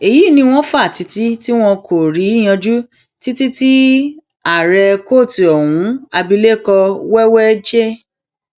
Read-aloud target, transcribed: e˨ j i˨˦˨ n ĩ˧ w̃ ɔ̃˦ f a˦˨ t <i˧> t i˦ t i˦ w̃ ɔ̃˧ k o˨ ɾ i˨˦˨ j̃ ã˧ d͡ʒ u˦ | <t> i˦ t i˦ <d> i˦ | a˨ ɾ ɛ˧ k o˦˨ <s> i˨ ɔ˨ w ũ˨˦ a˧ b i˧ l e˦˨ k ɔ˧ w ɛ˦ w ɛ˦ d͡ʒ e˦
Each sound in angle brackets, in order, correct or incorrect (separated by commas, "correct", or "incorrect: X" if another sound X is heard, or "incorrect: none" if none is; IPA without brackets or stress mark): correct, correct, incorrect: t, incorrect: t